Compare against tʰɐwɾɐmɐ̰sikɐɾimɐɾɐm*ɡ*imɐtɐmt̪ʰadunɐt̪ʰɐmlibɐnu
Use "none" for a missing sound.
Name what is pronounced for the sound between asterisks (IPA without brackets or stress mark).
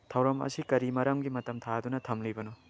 ɡ